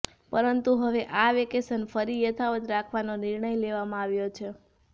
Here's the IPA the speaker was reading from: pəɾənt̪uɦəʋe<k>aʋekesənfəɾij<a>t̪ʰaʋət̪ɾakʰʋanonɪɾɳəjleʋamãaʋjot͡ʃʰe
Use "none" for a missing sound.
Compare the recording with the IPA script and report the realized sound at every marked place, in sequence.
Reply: ʔ, ə

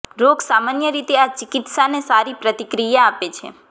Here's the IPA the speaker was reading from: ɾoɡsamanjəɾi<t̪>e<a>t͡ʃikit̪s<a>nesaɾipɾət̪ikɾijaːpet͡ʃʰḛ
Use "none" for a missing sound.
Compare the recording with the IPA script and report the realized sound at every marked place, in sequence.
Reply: t̪, a, a

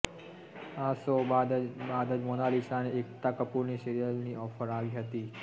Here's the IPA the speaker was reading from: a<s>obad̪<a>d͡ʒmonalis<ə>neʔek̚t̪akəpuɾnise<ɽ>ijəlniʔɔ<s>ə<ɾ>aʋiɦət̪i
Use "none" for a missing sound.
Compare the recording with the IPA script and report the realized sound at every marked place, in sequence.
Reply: s, ə, a, ɾ, f, ɾ

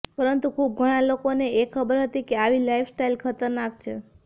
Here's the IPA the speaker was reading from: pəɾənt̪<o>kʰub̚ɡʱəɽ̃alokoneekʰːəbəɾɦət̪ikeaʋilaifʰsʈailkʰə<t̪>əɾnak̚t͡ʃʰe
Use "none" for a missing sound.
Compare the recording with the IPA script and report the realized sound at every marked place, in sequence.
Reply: u, t̪

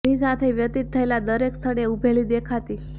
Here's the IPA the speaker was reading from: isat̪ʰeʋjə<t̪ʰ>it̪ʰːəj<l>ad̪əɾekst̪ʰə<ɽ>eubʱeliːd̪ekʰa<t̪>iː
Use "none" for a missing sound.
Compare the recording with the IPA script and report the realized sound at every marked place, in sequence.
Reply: t̪, l, ɽ, t̪

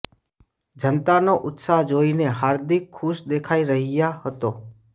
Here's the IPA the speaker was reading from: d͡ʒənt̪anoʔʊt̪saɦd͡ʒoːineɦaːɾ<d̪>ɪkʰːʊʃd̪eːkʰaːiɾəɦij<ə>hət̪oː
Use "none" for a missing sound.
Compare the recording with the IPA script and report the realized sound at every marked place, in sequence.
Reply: d̪, a

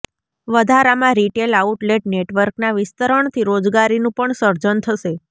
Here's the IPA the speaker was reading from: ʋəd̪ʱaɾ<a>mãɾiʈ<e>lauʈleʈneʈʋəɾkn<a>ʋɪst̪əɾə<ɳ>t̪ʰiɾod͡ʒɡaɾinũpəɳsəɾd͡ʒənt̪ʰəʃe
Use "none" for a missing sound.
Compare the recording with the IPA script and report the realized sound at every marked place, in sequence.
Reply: a, e, a, ɳ

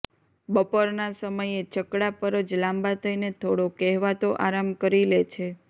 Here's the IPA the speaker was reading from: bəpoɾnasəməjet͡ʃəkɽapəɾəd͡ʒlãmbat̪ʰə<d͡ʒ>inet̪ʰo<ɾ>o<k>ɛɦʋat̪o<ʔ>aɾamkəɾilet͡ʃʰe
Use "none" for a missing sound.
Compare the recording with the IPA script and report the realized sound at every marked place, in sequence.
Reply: none, ɽ, k, ʔ

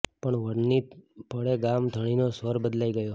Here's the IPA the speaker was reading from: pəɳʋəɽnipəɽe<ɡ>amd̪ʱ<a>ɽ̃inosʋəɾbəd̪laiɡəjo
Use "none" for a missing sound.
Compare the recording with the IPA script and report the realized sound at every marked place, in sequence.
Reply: ɡ, ə

